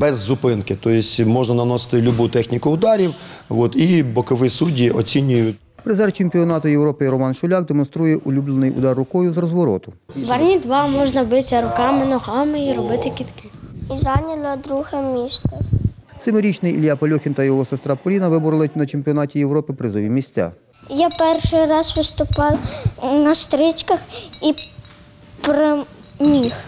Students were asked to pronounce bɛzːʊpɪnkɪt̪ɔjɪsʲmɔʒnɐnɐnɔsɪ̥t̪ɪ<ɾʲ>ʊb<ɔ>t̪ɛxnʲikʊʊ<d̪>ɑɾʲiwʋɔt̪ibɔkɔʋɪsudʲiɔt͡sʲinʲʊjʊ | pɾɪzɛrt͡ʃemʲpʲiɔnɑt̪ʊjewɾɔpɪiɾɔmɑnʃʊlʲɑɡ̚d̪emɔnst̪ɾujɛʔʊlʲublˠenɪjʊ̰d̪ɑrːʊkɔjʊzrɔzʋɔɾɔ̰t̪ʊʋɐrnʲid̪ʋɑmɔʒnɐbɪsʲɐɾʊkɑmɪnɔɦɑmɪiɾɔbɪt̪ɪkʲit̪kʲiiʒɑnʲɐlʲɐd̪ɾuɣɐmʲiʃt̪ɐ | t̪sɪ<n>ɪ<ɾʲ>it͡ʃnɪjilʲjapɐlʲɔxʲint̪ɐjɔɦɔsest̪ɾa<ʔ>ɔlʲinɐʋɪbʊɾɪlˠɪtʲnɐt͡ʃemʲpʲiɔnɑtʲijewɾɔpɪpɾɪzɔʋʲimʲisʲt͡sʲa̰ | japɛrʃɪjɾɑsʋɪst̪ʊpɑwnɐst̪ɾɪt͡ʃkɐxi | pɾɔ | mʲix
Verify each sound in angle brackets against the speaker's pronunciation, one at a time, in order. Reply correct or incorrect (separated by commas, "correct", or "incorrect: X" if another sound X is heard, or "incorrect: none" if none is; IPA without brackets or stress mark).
incorrect: lʲ, incorrect: u, correct, incorrect: m, correct, incorrect: p